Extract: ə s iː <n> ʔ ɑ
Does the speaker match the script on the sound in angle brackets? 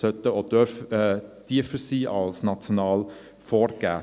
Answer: no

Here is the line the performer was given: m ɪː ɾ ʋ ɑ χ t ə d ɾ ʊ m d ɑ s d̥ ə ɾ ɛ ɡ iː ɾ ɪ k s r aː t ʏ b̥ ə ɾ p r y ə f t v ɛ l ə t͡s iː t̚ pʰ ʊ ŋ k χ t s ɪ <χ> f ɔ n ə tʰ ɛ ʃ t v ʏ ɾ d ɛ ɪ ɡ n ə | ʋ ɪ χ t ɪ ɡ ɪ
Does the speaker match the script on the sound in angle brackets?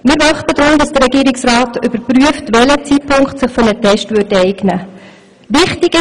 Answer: yes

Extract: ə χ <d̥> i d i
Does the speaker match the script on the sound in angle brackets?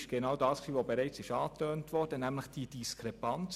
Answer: yes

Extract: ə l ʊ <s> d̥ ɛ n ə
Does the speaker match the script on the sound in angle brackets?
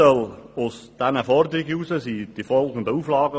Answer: yes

